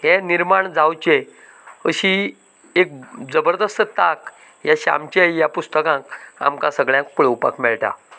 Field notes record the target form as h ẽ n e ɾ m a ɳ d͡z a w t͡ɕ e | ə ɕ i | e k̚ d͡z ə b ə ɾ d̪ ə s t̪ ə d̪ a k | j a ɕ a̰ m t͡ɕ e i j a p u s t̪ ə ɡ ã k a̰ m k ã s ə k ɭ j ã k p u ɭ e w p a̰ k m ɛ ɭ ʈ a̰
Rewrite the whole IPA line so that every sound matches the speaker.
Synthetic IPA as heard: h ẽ n i ɾ m a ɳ d͡z a w t͡ɕ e | ə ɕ i | e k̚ d͡z ə b ə ɾ d̪ ə s t̪ ə t̪ a k | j a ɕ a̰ m t͡ɕ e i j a p u s t̪ ə k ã k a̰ m k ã s ə ɡ ɭ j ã k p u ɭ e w p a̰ k m ɛ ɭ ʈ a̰